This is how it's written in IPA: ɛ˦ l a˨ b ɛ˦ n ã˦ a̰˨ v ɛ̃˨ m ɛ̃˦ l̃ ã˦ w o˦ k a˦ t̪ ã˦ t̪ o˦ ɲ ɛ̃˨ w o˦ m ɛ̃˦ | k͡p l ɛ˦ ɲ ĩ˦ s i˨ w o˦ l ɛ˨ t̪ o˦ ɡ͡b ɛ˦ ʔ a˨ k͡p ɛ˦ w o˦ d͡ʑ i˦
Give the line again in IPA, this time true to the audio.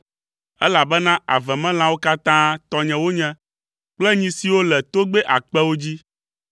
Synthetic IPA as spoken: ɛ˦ l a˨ b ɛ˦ n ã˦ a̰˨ v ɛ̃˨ m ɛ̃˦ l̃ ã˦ w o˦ k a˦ t̪ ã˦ t̪ ɔ˦ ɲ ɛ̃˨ w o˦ ɲ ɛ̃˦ | k͡p l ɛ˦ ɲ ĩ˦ s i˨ w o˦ l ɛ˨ t̪ o˦ ɡ͡b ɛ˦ ʔ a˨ k͡p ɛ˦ w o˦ d͡ʑ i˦

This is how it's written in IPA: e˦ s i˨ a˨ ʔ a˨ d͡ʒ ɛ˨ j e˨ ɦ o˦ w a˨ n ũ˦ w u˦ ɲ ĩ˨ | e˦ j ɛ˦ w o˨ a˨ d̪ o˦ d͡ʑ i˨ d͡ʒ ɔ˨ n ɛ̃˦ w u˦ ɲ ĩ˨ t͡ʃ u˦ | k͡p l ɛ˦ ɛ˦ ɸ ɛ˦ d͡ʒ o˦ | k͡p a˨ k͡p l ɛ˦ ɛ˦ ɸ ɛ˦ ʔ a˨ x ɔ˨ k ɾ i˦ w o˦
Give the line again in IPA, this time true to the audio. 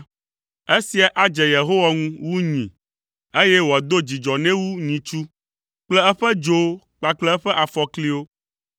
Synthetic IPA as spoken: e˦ s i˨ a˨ ʔ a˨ d͡ʒ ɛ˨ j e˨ ɦ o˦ w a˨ ŋ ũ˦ w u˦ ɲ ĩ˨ | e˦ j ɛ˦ w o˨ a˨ d̪ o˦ d͡ʑ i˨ d͡ʒ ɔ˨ n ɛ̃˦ w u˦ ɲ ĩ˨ t͡ʃ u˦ | k͡p l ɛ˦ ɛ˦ ɸ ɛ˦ d͡ʒ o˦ | k͡p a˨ k͡p l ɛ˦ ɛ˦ ɸ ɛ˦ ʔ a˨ f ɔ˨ k l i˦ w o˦

